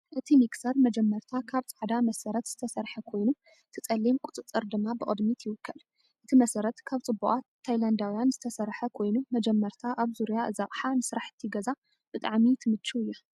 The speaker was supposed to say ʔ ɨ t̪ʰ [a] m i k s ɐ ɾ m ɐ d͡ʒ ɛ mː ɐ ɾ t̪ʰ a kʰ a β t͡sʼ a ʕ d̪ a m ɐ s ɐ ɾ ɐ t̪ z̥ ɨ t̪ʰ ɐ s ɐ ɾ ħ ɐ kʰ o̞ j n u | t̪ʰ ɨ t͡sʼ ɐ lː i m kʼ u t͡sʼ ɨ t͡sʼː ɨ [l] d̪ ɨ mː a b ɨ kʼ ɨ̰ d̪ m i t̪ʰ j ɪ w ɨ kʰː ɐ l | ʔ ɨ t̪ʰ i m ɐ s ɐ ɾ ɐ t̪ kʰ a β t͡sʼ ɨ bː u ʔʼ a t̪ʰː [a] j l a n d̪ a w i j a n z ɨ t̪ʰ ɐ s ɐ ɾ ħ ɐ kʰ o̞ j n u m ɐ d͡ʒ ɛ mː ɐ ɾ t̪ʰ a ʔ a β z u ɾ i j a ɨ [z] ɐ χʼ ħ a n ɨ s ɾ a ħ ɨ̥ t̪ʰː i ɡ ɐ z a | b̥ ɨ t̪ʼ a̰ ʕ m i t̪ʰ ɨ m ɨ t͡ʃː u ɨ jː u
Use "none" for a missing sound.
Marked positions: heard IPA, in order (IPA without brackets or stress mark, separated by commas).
i, ɾ, a, z